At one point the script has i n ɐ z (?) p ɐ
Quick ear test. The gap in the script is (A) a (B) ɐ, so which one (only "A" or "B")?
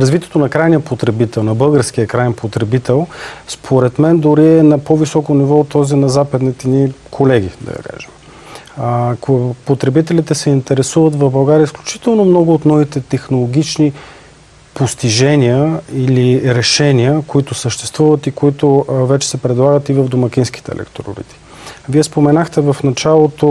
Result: A